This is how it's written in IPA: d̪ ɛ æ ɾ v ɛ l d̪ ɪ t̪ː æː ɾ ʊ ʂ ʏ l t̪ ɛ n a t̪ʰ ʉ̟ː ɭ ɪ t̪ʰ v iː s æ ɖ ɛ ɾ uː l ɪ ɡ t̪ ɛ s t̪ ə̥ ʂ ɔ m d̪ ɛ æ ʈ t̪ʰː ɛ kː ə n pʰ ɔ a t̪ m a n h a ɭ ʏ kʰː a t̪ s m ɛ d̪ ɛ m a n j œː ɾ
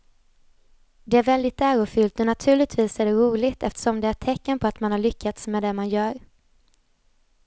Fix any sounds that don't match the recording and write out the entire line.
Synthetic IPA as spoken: d̪ ɛ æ ɾ v ɛ l d̪ ɪ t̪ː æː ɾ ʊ f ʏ l t̪ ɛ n a t̪ʰ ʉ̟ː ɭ ɪ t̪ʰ v iː s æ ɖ ɛ ɾ uː l ɪ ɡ t̪ ɛ f t̪ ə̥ ʂ ɔ m d̪ ɛ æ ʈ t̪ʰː ɛ kː ə n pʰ ɔ a t̪ m a n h a ɭ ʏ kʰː a t̪ s m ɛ d̪ ɛ m a n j œː ɾ